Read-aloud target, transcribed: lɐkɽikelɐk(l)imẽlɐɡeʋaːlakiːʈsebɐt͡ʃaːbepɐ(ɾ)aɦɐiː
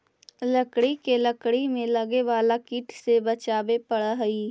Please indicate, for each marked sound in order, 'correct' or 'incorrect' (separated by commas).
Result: incorrect, incorrect